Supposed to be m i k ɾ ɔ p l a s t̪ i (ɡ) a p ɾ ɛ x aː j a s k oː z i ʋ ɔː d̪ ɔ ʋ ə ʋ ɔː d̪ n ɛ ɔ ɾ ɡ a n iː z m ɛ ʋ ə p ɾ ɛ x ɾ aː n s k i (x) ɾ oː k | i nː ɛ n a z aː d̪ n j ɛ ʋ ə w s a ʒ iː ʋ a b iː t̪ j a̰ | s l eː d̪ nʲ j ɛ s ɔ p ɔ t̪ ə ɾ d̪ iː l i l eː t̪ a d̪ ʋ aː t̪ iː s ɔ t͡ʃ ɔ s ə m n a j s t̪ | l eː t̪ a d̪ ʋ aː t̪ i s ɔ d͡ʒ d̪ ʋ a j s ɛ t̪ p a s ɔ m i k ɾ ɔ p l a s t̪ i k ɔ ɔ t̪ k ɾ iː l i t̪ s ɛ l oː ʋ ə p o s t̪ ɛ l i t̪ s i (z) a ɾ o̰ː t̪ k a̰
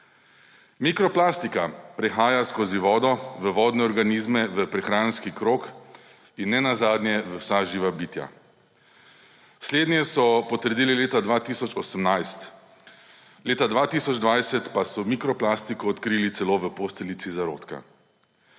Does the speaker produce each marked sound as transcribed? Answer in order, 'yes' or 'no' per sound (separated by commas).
no, no, yes